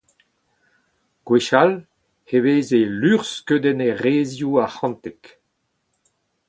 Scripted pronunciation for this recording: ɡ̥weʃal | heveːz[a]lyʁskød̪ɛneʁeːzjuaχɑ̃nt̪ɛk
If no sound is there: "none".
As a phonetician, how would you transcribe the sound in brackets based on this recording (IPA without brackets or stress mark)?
e